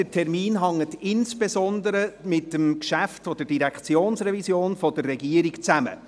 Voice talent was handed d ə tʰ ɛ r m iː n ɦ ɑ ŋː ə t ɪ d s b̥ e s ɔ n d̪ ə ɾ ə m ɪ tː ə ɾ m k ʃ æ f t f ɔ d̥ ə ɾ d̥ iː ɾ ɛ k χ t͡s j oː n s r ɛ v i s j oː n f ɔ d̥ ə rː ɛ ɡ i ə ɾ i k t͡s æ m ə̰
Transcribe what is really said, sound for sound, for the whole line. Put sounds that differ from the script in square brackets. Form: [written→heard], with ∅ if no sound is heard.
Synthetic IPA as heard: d ə tʰ ɛ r m iː n ɦ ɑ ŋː ə t ɪ [d→n] s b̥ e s ɔ n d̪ ə ɾ ə m ɪ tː ə [ɾ→∅] m k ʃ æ f t f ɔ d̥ ə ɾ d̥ [iː→i] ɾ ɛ k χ t͡s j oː n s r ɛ v i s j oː n f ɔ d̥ ə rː ɛ ɡ i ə ɾ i k t͡s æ m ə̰